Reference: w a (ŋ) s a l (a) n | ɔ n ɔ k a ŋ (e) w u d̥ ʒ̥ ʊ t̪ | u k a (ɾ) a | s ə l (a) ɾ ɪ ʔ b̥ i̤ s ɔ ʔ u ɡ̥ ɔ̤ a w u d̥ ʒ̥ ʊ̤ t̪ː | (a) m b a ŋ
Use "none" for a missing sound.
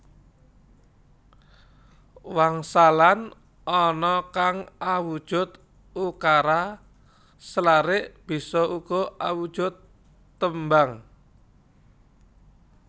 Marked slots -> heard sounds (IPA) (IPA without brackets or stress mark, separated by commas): ŋ, a, a, ɾ, a, ə